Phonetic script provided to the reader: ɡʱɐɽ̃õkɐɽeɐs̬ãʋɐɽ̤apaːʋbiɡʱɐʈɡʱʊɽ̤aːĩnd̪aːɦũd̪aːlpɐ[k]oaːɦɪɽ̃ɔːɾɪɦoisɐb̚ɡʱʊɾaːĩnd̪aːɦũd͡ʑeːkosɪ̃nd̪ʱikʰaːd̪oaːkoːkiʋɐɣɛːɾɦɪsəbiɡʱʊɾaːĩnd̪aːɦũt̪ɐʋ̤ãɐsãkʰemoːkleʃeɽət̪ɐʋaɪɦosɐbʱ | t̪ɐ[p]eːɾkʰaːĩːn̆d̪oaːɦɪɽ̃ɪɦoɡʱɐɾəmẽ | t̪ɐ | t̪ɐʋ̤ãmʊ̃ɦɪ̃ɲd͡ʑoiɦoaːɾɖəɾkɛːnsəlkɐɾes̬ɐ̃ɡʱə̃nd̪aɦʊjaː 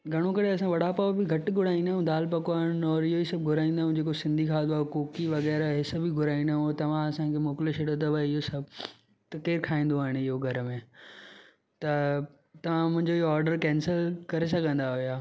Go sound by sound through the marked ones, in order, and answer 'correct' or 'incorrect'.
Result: correct, incorrect: k

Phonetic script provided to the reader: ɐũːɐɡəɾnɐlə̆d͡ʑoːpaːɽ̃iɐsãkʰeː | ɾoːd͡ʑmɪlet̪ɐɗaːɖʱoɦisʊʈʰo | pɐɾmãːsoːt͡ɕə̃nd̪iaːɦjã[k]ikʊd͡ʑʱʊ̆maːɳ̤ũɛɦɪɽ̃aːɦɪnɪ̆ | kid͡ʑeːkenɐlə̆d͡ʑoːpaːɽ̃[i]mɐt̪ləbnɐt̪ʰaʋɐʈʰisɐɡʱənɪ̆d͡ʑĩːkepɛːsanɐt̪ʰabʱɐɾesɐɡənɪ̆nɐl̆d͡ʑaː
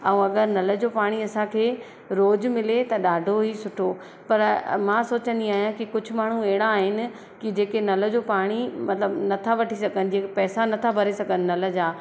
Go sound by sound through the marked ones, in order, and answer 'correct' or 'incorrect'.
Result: correct, correct

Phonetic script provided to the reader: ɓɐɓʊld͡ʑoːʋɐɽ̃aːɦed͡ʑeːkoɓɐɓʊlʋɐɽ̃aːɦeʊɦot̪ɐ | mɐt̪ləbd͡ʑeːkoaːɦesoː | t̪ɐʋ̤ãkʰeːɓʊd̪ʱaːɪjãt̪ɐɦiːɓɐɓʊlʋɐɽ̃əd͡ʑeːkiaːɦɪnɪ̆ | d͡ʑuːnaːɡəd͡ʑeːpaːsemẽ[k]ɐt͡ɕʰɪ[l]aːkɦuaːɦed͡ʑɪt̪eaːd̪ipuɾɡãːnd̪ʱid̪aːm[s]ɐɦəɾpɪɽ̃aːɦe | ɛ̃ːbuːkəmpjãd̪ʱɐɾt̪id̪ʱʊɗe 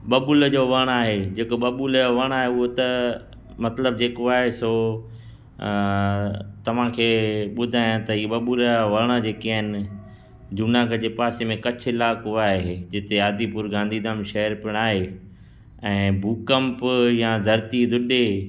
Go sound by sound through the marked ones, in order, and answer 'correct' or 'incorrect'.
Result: correct, correct, incorrect: ʃ

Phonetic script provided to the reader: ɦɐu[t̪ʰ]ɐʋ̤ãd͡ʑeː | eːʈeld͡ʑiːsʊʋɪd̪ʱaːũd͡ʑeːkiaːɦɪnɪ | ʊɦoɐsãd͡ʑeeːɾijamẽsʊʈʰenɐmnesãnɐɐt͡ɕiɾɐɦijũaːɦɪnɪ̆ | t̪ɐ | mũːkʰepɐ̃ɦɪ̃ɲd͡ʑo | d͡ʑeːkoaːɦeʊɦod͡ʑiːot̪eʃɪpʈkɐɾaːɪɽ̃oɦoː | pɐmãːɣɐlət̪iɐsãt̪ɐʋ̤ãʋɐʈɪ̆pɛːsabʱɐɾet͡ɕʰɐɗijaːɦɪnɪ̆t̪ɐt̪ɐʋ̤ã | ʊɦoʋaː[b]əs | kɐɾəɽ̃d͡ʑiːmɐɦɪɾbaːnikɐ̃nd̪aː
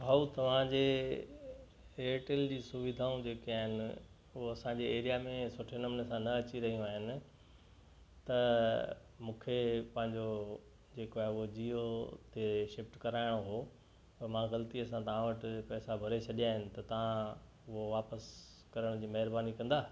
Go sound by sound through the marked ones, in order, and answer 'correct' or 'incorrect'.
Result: incorrect: t̪, incorrect: p

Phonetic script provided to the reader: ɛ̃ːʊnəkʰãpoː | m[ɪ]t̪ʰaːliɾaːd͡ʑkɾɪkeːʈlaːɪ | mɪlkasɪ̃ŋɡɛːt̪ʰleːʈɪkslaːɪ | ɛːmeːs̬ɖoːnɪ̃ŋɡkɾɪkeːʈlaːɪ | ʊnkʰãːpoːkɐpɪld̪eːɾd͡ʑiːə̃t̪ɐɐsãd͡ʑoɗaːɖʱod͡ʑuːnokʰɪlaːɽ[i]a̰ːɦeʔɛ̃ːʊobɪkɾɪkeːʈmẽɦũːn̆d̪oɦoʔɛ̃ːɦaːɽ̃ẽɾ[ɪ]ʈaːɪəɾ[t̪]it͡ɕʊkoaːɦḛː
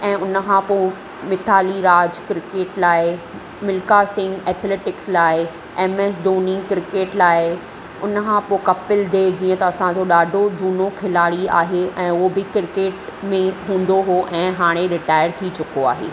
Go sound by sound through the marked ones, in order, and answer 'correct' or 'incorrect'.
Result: correct, correct, correct, incorrect: t̪ʰ

